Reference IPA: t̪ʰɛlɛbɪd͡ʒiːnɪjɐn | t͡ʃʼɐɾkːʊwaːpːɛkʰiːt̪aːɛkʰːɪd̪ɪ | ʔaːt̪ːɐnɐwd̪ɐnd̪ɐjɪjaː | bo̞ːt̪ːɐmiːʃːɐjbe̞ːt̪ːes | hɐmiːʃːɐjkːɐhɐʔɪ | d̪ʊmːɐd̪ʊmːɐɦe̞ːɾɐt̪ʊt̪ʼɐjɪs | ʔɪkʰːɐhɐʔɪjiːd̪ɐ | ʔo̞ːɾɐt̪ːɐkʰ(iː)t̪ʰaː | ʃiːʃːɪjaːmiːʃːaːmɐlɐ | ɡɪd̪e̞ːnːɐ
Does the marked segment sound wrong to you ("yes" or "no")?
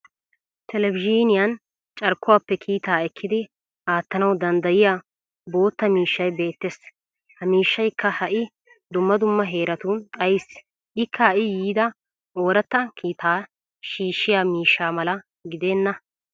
no